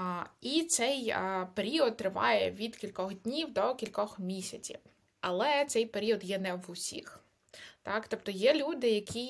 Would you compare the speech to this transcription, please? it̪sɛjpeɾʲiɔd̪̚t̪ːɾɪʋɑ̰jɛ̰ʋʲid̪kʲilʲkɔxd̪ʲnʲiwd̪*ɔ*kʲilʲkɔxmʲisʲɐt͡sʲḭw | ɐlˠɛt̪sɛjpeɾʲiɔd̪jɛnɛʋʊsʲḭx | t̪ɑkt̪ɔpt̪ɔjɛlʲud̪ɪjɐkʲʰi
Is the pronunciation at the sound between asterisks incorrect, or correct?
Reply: correct